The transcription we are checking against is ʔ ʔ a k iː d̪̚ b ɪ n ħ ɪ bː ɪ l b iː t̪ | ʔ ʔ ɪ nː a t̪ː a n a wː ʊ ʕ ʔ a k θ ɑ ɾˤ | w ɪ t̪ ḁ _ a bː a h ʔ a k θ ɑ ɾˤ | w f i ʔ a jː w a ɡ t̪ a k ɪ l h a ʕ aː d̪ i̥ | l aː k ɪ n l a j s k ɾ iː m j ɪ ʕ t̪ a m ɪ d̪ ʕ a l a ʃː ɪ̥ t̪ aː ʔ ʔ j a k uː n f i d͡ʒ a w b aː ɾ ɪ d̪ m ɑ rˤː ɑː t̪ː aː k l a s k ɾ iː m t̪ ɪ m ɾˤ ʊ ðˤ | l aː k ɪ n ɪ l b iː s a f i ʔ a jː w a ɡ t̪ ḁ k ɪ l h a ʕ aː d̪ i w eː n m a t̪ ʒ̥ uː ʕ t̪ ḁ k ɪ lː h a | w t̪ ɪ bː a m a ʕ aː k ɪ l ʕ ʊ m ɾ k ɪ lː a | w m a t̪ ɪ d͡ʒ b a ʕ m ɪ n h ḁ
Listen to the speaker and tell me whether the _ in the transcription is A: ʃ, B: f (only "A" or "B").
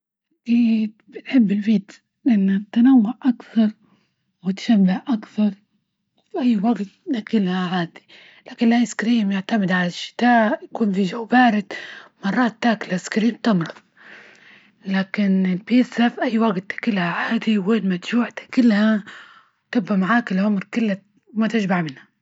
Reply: A